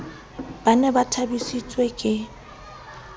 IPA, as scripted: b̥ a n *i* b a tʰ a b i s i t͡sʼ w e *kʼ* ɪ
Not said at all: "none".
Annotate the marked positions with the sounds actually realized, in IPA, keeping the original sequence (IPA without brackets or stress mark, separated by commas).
ɛ, kʼ